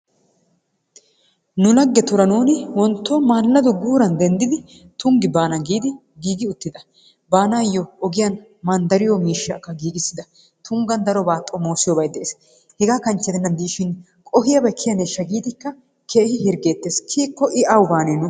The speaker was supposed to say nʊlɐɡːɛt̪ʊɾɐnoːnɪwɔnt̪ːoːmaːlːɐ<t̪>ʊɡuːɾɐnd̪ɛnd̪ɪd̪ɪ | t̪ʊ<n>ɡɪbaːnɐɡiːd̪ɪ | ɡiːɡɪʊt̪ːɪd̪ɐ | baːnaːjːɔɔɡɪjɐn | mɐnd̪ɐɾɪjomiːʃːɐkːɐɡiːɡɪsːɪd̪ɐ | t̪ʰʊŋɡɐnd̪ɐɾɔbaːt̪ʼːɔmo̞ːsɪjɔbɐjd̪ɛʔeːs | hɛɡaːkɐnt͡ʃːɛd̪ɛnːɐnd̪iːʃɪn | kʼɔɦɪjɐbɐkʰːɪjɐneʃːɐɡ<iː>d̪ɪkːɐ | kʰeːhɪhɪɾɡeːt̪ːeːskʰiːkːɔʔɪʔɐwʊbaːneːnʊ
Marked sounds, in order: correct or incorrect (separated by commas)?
incorrect, incorrect, correct